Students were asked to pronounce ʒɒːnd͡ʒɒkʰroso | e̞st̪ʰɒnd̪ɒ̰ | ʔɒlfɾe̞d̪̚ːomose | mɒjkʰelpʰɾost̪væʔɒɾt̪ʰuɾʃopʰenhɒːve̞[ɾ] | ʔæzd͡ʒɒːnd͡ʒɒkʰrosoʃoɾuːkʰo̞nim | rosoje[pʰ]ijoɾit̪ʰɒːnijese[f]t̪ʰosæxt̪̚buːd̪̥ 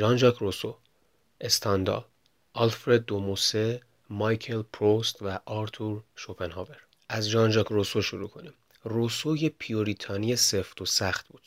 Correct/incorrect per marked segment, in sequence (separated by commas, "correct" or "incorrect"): correct, correct, correct